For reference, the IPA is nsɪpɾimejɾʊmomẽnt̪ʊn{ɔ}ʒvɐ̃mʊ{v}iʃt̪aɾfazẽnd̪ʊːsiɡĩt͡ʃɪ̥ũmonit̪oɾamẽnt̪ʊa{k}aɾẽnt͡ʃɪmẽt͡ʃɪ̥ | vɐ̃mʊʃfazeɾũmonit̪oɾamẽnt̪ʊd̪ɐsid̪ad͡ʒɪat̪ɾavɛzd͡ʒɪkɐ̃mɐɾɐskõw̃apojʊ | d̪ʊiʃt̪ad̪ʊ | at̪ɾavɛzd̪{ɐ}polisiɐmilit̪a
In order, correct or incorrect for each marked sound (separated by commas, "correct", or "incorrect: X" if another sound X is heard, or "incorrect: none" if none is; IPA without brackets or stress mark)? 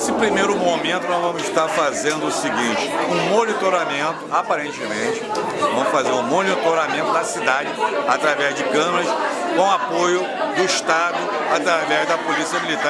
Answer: correct, incorrect: z, incorrect: p, correct